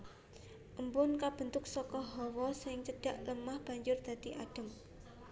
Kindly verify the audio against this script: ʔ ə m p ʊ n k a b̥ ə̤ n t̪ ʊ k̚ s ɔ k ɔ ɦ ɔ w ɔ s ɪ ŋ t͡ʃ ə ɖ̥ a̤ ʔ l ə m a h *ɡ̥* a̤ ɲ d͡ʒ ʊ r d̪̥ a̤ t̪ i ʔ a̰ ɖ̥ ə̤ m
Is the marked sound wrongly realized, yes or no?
yes